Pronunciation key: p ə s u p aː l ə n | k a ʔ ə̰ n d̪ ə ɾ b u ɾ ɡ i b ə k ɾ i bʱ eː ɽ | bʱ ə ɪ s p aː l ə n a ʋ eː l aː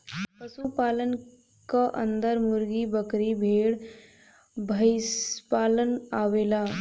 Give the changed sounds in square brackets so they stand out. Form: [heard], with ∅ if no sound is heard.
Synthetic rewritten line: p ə s u p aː l ə n | k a ʔ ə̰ n d̪ ə ɾ [m] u ɾ ɡ i b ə k ɾ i bʱ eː ɽ | bʱ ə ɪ s p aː l ə n a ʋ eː l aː